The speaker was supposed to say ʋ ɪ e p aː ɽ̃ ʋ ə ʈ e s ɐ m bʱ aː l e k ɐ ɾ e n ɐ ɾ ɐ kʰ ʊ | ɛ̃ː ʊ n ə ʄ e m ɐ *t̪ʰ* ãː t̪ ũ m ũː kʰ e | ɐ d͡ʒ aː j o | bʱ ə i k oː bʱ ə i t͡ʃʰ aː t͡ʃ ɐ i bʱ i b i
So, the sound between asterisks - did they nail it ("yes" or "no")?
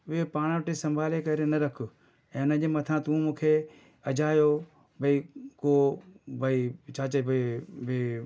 yes